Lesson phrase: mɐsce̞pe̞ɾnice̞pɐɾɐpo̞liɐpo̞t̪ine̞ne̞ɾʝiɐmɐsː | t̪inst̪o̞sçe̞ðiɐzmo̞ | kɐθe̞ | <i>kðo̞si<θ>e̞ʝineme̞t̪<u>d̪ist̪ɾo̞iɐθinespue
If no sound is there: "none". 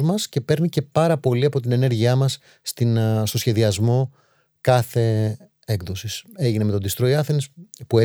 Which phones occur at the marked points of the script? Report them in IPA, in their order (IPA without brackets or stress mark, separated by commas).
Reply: e, s, o